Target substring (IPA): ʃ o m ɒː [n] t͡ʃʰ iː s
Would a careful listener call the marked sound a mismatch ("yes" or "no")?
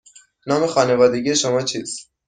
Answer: yes